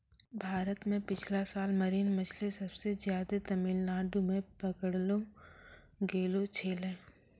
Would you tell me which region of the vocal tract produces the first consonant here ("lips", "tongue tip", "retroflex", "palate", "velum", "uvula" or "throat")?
lips